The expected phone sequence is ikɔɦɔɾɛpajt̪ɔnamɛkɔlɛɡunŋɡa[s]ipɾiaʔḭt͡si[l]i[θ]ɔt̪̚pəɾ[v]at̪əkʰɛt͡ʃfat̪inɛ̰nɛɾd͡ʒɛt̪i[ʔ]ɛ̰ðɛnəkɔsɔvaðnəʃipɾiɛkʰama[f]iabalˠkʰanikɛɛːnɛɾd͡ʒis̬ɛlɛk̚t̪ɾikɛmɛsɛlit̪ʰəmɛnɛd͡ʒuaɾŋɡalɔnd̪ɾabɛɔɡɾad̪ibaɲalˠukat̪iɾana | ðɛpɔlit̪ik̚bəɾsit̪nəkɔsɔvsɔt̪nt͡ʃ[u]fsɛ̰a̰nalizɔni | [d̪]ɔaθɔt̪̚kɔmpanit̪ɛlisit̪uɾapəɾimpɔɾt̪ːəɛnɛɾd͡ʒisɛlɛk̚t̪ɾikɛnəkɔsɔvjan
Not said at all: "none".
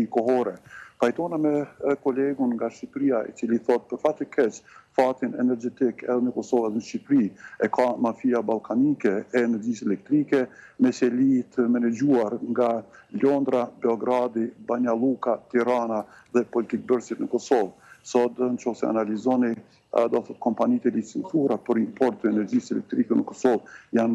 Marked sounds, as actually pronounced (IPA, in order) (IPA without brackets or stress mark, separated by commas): ʃ, l, θ, f, k, f, ɔ, d̪